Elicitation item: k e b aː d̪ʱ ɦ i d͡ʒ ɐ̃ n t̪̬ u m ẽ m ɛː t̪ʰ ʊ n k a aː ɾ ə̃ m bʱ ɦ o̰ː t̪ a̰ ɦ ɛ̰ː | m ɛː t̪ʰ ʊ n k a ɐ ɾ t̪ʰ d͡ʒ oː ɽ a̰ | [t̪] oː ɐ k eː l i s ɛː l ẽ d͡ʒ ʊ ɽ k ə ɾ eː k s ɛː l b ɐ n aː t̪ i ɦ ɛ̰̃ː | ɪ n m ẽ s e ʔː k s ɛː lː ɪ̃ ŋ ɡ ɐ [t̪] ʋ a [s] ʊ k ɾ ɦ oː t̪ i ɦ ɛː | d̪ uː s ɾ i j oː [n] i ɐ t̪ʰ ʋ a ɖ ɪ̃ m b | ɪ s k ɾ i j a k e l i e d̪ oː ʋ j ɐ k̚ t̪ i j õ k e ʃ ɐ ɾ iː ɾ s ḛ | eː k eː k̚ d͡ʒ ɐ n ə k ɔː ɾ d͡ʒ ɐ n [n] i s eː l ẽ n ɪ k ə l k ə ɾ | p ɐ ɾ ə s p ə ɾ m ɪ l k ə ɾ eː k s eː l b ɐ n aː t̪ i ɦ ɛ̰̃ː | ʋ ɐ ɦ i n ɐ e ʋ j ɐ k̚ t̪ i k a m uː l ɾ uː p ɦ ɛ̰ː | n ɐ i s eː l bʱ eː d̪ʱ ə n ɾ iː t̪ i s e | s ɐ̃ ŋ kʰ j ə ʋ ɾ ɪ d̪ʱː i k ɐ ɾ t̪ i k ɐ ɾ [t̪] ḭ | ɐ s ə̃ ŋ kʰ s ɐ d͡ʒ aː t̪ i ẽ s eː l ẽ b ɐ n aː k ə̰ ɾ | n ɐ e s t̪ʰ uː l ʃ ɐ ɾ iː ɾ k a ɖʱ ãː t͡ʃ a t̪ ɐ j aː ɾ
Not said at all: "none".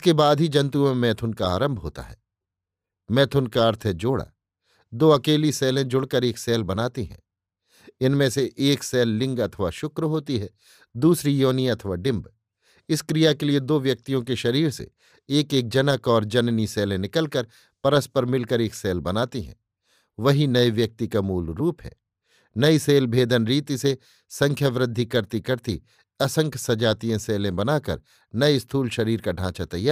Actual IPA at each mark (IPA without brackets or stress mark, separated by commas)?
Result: d̪, t̪ʰ, ʃ, n, n, t̪